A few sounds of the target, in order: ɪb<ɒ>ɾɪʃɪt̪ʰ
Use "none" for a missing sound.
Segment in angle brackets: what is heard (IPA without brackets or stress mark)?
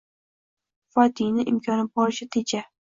ɒ